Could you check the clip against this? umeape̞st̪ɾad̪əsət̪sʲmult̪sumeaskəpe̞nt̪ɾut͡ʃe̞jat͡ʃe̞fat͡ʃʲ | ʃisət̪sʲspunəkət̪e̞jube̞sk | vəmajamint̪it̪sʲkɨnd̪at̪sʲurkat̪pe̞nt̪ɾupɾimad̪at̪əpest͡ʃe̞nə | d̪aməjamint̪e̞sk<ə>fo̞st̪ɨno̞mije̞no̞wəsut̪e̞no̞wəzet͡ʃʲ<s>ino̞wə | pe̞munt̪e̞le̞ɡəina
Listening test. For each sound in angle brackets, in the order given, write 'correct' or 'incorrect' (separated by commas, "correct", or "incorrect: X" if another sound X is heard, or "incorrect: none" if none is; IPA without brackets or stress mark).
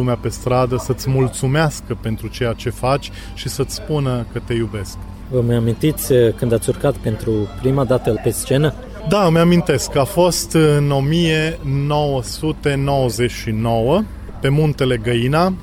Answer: incorrect: a, incorrect: ʃ